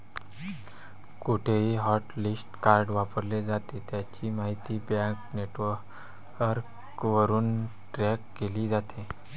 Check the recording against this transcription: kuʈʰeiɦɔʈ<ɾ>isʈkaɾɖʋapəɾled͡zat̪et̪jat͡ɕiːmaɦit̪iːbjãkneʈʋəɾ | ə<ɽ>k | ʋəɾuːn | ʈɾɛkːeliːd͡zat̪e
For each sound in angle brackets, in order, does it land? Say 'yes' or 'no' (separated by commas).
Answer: no, no